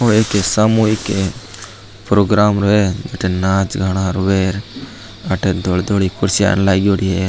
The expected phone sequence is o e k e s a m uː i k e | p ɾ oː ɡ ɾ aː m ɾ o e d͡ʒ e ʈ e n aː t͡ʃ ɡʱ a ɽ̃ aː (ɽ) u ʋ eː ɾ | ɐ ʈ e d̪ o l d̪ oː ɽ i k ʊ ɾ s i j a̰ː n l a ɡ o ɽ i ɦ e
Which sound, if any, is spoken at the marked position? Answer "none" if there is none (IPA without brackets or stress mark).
ɾ